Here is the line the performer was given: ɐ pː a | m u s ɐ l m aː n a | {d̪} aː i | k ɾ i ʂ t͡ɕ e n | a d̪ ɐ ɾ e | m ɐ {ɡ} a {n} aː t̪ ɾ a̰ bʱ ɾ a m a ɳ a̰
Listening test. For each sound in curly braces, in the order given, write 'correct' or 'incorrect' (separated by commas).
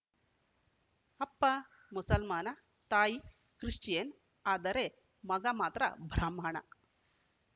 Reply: incorrect, correct, incorrect